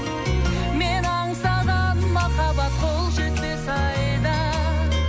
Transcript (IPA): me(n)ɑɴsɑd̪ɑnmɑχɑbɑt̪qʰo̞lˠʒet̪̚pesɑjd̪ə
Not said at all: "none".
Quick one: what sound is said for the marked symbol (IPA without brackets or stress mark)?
n